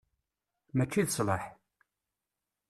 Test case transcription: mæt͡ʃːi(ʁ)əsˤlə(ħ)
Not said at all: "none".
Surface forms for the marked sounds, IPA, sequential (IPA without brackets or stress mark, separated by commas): ð, ħ